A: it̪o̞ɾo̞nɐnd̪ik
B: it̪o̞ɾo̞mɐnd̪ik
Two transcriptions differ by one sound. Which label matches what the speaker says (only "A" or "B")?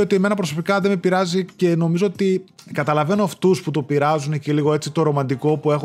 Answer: B